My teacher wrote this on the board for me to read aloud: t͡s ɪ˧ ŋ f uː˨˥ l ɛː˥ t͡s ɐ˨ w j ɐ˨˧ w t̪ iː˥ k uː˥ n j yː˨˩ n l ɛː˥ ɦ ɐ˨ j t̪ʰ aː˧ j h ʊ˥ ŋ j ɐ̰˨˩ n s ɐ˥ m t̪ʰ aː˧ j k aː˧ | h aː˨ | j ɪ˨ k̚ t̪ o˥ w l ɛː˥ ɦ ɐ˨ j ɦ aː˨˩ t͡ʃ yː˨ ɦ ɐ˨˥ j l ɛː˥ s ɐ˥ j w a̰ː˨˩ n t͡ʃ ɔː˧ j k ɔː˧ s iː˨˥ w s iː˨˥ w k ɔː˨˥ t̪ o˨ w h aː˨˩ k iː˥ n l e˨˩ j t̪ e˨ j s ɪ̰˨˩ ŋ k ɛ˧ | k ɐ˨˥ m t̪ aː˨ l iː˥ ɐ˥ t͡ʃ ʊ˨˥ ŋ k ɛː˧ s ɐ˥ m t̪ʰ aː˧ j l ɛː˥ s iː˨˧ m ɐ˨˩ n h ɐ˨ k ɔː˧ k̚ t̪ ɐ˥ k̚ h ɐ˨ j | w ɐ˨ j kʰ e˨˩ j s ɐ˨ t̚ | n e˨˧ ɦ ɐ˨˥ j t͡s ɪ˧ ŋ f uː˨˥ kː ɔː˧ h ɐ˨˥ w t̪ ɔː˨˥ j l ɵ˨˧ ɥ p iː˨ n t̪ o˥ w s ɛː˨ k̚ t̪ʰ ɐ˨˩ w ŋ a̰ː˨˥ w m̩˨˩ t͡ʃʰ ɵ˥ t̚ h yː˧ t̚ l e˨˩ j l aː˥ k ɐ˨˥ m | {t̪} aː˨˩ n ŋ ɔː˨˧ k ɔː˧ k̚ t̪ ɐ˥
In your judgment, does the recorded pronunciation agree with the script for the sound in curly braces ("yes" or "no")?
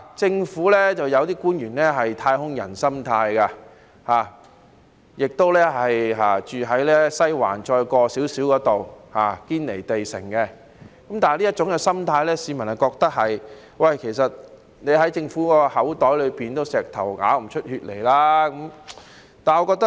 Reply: yes